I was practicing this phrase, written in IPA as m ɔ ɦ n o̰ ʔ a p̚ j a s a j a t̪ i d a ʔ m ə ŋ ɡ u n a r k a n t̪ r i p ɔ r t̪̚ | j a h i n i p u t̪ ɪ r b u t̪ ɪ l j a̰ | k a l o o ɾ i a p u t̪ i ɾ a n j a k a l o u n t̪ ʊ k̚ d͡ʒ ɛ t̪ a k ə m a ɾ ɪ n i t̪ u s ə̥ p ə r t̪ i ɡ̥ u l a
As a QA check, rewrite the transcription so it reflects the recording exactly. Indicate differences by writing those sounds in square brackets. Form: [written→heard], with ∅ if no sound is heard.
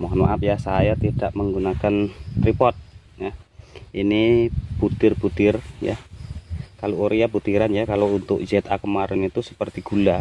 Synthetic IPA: m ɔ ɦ n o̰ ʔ a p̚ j a s a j a t̪ i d a ʔ m ə ŋ ɡ u n a [r→∅] k a n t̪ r i p ɔ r t̪̚ | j a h i n i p u t̪ ɪ r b u t̪ ɪ [l→r] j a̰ | k a l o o ɾ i a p u t̪ i ɾ a n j a k a l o u n t̪ ʊ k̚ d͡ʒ ɛ t̪ a k ə m a ɾ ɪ n i t̪ u s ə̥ p ə r t̪ i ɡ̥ u l a